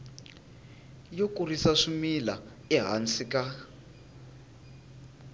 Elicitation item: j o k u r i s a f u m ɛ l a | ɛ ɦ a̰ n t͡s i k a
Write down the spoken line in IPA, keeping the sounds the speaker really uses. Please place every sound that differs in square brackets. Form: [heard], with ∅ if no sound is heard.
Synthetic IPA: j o k u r i s a [ʂ] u m [i] l a | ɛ ɦ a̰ n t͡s i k a